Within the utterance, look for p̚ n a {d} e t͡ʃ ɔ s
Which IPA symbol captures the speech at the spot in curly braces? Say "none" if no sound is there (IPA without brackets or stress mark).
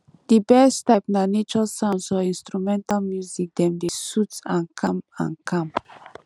n